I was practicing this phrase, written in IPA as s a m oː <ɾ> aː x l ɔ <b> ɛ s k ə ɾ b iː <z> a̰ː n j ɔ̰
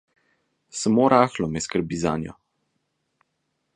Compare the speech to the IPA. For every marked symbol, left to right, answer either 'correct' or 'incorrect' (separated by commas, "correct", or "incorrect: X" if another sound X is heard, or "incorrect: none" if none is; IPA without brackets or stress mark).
correct, incorrect: m, correct